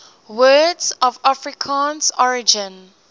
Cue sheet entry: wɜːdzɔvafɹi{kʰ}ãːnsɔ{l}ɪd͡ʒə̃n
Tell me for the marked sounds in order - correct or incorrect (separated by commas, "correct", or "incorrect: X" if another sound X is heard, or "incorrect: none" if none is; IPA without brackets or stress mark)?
correct, incorrect: ɹ